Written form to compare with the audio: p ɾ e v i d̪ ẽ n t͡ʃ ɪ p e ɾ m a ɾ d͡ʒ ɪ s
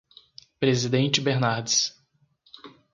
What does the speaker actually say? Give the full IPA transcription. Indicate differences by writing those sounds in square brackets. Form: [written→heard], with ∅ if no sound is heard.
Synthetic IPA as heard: p ɾ e [v→z] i d̪ ẽ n t͡ʃ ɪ [p→b] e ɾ [m→n] a ɾ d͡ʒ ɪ s